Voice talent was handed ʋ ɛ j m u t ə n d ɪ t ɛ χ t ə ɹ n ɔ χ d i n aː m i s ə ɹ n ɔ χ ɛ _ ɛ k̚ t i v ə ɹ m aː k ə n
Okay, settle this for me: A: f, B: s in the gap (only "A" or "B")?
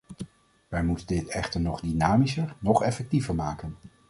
A